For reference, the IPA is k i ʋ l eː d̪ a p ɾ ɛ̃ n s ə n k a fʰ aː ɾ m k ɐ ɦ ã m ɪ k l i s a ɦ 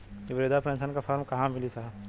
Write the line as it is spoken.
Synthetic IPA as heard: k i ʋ ɾ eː d̪ a p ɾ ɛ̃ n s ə n k a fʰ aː ɾ m k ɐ ɦ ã m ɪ l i s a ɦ

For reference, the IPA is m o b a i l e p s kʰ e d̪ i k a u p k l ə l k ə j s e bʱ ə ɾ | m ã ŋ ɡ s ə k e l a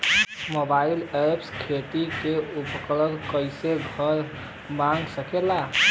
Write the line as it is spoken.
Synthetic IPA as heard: m o b a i l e p s kʰ e t̪ i k e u p k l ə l k ə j s e ɡʱ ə ɾ | m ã ŋ ɡ s ə k e l a

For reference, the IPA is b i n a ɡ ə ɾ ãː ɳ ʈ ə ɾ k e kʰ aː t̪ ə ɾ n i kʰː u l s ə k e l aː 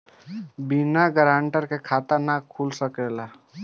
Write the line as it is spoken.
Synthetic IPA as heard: b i n a ɡ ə ɾ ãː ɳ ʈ ə ɾ k e kʰ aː t̪ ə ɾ n a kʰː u l s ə k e l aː

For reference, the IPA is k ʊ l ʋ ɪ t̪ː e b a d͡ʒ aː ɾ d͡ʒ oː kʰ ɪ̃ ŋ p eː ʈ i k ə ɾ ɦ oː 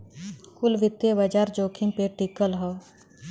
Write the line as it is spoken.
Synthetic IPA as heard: k ʊ l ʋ ɪ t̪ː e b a d͡ʒ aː ɾ d͡ʒ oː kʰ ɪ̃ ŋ p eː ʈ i k ə l ɦ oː

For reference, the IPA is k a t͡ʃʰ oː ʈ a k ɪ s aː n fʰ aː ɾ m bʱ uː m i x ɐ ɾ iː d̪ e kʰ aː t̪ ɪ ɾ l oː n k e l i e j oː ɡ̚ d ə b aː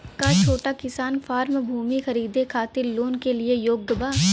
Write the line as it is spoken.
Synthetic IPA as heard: k a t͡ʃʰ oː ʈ a k ɪ s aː n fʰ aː ɾ m bʱ uː m i x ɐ ɾ iː d̪ e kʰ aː t̪ ɪ ɾ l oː n k e l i e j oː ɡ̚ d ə b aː

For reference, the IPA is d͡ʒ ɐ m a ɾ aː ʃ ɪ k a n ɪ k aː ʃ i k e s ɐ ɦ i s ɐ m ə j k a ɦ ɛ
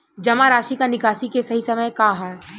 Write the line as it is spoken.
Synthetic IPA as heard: d͡ʒ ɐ m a ɾ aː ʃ i k a n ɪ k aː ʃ i k e s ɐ ɦ i s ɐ m ə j k a ɦ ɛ

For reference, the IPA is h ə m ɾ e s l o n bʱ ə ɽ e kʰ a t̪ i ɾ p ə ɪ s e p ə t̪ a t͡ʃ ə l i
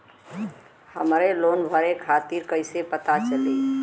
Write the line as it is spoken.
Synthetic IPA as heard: h ə m ɾ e l o n bʱ ə ɾ e kʰ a t̪ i ɾ k ə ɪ s e p ə t̪ a t͡ʃ ə l i

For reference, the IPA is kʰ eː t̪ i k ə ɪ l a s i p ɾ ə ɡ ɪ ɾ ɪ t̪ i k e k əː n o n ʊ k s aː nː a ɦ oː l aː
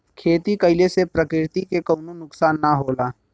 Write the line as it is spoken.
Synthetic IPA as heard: kʰ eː t̪ i k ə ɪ l e s e p ɾ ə k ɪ ɾ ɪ t̪ i k e k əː n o n ʊ k s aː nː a ɦ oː l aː

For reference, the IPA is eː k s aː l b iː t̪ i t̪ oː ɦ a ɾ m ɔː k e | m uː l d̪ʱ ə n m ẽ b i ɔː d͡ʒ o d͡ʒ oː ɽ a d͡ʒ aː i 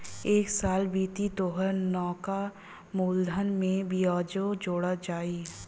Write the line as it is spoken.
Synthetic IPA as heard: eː k s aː l b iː t̪ i t̪ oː ɦ ə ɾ n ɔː k a | m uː l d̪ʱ ə n m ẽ b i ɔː d͡ʒ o d͡ʒ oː ɽ a d͡ʒ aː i

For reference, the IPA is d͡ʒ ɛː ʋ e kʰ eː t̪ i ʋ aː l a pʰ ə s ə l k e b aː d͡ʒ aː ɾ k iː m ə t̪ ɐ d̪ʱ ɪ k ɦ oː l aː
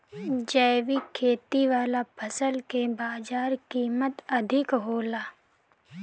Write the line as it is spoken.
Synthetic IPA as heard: d͡ʒ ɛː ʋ i kʰ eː t̪ i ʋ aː l a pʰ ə s ə l k e b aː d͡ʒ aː ɾ k iː m ə t̪ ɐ d̪ʱ ɪ k ɦ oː l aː

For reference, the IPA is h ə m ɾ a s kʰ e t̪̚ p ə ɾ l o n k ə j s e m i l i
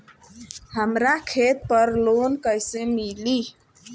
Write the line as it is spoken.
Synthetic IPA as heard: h ə m ɾ a kʰ e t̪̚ p ə ɾ l o n k ə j s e m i l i

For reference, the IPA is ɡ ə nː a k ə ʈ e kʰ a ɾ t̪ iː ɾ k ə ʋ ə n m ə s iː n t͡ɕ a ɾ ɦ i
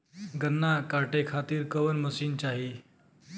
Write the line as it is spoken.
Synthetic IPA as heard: ɡ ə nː a k a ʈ e kʰ a t̪ iː ɾ k ə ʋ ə n m ə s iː n t͡ɕ a ɦ i

